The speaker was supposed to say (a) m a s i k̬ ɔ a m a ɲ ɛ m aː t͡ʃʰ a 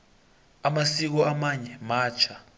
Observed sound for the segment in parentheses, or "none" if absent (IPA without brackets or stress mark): a